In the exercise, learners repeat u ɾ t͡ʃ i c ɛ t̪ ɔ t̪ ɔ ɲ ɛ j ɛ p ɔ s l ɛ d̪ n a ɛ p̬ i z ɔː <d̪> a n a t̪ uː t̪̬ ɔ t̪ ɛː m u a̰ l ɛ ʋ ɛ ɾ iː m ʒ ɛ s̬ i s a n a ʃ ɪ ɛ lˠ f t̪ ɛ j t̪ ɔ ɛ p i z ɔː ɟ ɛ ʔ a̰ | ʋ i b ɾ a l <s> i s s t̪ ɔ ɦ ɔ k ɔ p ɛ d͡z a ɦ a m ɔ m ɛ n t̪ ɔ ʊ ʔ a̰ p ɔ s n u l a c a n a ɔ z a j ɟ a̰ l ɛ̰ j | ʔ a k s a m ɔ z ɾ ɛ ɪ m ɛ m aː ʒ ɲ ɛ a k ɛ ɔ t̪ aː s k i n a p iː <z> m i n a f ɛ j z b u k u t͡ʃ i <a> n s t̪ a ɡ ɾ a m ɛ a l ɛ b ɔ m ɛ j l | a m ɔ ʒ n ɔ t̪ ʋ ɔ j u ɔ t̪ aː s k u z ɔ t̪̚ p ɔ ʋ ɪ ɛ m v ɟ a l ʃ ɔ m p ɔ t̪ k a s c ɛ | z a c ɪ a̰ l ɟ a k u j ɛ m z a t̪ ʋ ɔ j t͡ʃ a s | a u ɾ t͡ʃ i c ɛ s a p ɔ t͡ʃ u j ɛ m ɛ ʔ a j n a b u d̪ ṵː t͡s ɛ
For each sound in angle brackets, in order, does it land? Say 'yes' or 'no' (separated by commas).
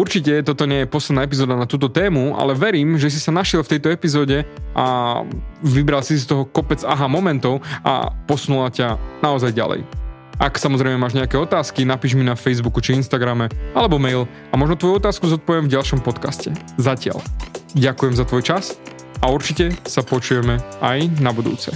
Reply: yes, yes, no, no